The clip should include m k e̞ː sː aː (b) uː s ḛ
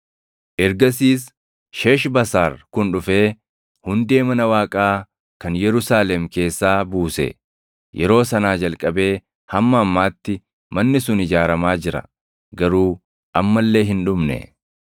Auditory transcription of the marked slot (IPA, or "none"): b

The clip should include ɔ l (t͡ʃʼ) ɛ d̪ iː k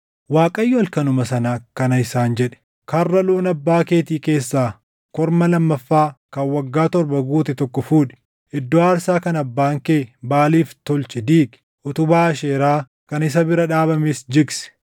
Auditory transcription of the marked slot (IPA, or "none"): t͡ʃ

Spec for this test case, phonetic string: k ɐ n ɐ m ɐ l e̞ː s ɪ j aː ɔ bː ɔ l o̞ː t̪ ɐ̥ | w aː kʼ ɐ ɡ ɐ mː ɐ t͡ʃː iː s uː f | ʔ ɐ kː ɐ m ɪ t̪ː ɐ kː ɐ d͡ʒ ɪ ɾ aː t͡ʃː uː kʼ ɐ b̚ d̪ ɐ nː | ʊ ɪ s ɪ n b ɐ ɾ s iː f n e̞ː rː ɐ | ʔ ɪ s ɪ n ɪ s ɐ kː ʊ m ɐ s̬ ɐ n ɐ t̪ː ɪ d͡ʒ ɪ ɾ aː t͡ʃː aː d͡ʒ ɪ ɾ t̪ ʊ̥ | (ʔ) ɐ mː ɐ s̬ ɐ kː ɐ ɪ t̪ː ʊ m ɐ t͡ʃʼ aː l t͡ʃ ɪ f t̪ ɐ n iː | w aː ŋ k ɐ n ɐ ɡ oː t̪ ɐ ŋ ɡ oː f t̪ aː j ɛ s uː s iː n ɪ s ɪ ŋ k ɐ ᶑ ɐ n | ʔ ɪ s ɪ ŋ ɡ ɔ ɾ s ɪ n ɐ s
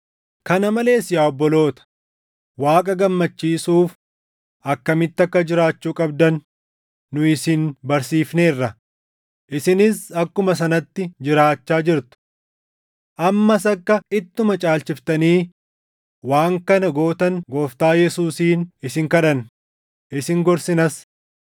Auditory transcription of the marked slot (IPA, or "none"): ʔ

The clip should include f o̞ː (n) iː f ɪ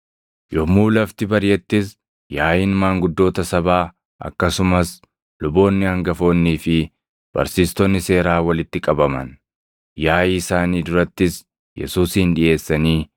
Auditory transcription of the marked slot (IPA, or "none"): nː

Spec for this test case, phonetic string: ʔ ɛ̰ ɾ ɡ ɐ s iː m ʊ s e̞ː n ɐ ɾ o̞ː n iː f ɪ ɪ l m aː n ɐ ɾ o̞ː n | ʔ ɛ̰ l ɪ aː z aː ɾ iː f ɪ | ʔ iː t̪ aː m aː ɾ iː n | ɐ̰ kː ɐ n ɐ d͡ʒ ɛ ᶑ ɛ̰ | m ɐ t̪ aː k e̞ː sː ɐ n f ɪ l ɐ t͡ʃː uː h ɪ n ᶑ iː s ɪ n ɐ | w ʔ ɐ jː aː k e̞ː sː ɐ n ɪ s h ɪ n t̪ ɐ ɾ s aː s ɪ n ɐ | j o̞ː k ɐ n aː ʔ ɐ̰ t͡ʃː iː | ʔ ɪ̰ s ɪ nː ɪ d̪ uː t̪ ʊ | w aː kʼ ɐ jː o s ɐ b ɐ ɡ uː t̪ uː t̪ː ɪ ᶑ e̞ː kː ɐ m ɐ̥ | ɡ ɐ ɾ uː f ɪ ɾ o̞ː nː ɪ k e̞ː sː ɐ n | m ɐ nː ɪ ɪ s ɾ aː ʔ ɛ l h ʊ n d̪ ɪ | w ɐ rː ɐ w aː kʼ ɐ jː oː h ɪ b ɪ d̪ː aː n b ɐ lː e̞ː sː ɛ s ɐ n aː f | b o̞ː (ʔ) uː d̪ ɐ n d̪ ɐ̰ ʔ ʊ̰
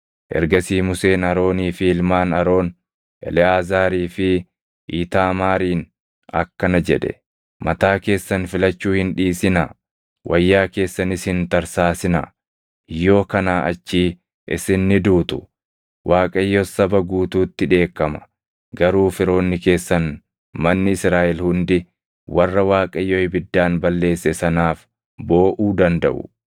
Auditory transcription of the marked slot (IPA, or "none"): ʔ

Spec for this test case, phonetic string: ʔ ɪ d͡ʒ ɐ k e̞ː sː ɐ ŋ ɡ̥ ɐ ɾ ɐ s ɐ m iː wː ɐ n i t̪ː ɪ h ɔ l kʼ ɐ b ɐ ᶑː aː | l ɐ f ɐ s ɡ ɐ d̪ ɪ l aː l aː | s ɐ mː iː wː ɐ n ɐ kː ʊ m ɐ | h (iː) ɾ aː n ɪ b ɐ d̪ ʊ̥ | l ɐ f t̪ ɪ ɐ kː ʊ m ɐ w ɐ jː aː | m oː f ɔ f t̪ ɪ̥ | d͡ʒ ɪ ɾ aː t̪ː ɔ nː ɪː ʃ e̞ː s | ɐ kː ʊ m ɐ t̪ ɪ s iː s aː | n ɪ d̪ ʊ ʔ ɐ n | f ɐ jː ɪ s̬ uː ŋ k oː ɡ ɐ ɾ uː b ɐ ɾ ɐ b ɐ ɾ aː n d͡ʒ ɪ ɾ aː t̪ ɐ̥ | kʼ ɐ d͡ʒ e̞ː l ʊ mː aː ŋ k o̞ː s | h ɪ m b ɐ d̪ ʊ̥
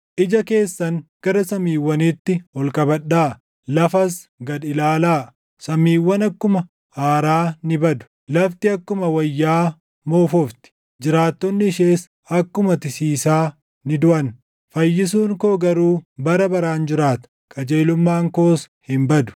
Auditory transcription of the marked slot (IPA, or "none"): aː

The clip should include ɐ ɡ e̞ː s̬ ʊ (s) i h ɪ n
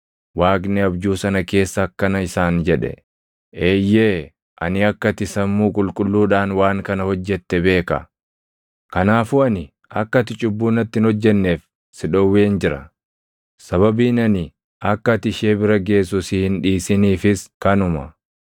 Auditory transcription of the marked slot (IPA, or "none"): s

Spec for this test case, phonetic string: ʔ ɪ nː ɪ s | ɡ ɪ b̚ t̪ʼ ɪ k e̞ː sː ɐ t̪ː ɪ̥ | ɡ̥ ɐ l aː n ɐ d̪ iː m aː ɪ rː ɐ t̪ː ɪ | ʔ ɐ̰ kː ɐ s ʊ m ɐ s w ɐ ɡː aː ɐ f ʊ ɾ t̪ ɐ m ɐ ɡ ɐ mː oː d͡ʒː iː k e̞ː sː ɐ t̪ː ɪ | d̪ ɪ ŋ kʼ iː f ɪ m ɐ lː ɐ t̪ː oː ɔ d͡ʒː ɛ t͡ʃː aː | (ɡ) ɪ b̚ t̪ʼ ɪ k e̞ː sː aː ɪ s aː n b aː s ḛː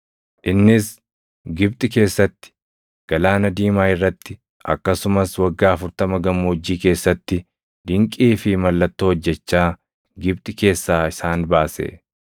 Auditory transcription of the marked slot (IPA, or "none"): ɡ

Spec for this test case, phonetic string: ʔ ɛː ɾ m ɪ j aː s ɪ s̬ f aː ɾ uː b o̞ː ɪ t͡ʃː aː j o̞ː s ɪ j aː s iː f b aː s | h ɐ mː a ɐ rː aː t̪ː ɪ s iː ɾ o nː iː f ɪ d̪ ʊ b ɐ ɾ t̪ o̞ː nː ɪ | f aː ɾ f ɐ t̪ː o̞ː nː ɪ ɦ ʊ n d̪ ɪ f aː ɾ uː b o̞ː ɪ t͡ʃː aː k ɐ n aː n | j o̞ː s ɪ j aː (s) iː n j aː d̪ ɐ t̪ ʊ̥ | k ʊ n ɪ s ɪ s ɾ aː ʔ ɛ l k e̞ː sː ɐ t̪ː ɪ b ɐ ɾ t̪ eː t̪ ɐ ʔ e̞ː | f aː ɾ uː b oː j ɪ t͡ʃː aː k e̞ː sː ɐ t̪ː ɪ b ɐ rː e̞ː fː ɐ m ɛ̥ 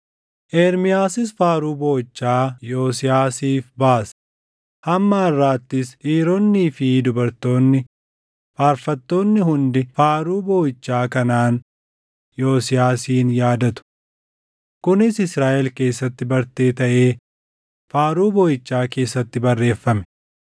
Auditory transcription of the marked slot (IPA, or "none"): s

